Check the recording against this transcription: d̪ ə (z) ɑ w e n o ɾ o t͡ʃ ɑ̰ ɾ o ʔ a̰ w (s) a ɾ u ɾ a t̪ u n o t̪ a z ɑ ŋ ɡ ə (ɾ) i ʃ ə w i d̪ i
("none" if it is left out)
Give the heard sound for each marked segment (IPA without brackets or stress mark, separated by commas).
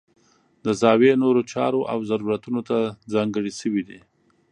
z, z, ɽ